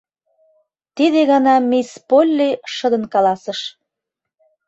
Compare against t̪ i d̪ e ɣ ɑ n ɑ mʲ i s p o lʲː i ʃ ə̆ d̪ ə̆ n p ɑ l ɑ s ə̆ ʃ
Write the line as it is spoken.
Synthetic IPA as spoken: t̪ i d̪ e ɣ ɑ n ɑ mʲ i s p o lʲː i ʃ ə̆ d̪ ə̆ n k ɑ l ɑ s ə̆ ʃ

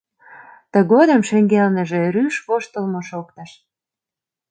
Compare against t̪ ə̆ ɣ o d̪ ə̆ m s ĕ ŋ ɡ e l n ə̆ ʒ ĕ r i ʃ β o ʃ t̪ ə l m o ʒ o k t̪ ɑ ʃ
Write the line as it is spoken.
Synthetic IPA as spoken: t̪ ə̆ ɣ o d̪ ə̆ m ʃ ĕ ŋ ɡ e l n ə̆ ʒ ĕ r y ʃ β o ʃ t̪ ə l m o ʃ o k t̪ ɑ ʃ

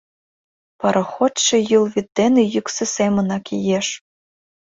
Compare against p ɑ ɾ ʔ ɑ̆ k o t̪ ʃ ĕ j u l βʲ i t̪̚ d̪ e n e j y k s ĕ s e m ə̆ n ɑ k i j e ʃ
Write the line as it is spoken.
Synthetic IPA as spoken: p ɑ ɾ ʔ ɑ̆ x o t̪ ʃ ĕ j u l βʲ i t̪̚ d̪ e n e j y k s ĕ s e m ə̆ n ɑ k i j e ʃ

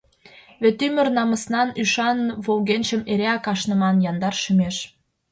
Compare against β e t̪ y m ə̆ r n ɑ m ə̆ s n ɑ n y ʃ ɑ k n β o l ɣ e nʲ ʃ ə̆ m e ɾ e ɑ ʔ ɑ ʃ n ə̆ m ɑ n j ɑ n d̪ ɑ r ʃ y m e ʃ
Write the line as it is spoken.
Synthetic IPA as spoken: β e t̪ y m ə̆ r n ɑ m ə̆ s n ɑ n y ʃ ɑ n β o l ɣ e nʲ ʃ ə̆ m e ɾ e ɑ k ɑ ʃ n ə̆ m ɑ n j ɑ n d̪ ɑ r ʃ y m e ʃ

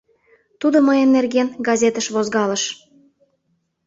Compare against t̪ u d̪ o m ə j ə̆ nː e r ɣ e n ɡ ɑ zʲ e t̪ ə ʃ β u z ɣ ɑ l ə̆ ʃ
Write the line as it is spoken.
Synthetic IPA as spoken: t̪ u d̪ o m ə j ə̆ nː e r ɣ e n ɡ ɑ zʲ e t̪ ə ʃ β o z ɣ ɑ l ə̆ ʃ

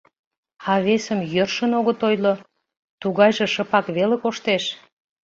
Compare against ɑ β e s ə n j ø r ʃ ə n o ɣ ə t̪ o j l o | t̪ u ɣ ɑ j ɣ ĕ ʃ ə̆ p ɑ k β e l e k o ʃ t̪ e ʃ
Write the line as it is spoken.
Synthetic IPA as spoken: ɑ β e s ə m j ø r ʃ ə n o ɣ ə t̪ o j l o | t̪ u ɣ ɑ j ʒ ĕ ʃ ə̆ p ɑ k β e l e k o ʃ t̪ e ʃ

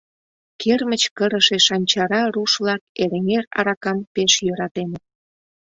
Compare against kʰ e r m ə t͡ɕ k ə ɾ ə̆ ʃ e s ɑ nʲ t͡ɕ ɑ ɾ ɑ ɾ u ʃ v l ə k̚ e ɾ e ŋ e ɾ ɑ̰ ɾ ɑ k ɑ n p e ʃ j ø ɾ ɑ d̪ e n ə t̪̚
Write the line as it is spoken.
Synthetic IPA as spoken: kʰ e r m ə t͡ɕ k ə ɾ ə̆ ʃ e ʃ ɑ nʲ t͡ɕ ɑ ɾ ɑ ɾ u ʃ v l ɑ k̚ e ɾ e ŋ e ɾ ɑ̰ ɾ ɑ k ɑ m p e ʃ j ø ɾ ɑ t̪ e n ə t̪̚

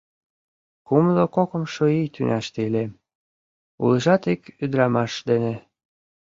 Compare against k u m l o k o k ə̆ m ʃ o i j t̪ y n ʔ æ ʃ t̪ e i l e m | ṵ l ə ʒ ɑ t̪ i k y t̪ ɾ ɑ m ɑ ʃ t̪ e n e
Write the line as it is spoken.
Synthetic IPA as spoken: k u m l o k o k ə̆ m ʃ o i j t̪ y n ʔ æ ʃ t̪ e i l e m | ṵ l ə ʒ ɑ t̪ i k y d̪ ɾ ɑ m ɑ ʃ d̪ e n e

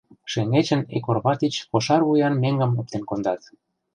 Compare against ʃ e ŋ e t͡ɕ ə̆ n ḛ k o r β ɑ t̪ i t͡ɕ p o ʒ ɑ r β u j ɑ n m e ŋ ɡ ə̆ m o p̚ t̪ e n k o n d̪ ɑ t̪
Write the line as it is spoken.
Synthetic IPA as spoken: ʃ e ŋ e t͡ɕ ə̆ n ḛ k o r β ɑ t̪ i t͡ɕ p o ʃ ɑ r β u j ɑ n m e ŋ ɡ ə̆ m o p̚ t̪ e n k o n d̪ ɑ t̪

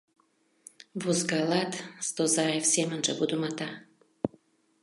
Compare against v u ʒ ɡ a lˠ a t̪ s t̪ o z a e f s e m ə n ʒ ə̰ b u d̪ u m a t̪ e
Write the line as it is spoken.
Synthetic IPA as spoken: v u z ɡ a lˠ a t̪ s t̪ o z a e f s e m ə n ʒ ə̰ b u d̪ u m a t̪ a

